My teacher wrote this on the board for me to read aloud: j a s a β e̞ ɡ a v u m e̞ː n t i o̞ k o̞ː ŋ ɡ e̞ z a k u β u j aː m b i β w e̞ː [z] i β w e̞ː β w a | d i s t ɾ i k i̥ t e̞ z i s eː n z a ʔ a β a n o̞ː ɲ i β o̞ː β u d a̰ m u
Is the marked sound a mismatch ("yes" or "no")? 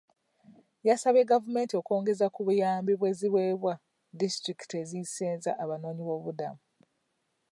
no